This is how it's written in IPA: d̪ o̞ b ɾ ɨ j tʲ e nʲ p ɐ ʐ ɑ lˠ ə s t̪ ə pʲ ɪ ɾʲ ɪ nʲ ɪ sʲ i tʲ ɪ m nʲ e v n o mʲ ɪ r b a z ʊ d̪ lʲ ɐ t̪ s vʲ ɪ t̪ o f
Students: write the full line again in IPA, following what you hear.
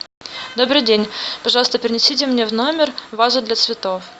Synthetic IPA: d̪ o̞ b ɾ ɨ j dʲ e nʲ p ɐ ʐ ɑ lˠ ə s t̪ ə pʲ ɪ ɾʲ ɪ nʲ ɪ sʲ i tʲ ɪ m nʲ e v n o mʲ ɪ r v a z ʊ d̪ lʲ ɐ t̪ s vʲ ɪ t̪ o f

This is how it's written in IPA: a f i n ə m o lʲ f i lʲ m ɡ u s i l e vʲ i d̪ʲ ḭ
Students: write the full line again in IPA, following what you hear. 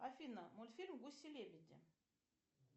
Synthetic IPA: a f i n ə m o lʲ f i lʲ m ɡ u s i l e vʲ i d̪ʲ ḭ

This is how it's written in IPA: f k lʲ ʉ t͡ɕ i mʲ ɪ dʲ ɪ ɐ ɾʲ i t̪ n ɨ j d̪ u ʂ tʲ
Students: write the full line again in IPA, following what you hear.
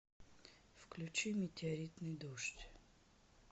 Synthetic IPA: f k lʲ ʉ t͡ɕ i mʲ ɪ tʲ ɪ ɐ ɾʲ i t̪ n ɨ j d̪ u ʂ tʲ

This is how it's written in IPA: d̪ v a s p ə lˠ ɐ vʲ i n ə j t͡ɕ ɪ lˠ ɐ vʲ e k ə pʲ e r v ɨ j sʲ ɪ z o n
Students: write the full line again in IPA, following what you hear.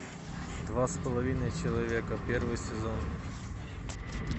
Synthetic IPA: d̪ v a s p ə lˠ ɐ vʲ i n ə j t͡ɕ ɪ lˠ ɐ vʲ e k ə pʲ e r v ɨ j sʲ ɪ z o n

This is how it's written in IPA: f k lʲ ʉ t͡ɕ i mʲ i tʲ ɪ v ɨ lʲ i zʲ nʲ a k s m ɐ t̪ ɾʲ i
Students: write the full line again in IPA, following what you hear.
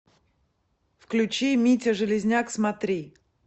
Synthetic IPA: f k lʲ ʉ t͡ɕ i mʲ i tʲ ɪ ʐ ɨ lʲ ɪ zʲ nʲ a k s m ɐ t̪ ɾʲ i

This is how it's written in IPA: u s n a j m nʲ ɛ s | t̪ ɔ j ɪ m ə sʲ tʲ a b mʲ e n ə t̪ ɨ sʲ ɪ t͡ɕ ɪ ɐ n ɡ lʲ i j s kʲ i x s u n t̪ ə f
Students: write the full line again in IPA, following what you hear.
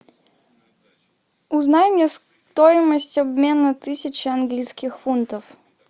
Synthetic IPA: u z n a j m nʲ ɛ s | t̪ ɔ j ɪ m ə sʲ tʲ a b mʲ e n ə t̪ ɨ sʲ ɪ t͡ɕ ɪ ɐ n ɡ lʲ i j s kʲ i x f u n t̪ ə f

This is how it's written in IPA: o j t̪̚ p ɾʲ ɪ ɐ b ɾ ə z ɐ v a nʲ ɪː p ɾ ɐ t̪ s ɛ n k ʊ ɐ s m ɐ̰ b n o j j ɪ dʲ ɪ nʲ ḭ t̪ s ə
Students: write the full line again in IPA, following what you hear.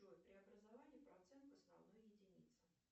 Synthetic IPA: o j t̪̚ p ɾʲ ɪ ɐ b ɾ ə z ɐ v a nʲ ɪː p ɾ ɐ t̪ s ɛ n k ʊ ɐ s n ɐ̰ v n o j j ɪ dʲ ɪ nʲ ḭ t̪ s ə

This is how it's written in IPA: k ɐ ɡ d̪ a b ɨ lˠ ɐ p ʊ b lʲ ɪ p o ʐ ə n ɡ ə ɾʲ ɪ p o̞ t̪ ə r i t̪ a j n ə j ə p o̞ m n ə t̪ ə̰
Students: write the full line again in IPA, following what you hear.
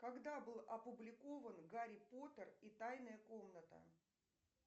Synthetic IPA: k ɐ ɡ d̪ a b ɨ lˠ ɐ p ʊ b lʲ ɪ k o v ə n ɡ a ɾʲ ɪ p o̞ t̪ ə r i t̪ a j n ə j ə k o̞ m n ə t̪ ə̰

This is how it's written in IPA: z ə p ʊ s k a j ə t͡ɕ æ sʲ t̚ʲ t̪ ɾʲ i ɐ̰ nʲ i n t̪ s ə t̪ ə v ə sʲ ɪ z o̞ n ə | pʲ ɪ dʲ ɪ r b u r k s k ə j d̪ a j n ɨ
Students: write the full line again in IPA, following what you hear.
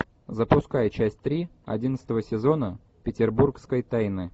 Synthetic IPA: z ə p ʊ s k a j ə t͡ɕ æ sʲ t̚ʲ t̪ ɾʲ i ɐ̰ dʲ i n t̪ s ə t̪ ə v ə sʲ ɪ z o̞ n ə | pʲ ɪ tʲ ɪ r b u r k s k ə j t̪ a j n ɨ

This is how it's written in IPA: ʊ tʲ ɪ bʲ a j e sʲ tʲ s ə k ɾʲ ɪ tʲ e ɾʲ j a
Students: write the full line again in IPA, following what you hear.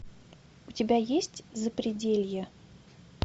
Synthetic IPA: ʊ tʲ ɪ bʲ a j e sʲ tʲ z ə p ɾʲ ɪ dʲ e lʲ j ə

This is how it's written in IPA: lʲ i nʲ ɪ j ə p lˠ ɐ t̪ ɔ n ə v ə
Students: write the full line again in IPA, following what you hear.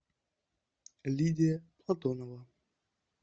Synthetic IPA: lʲ i dʲ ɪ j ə p lˠ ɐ t̪ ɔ n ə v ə

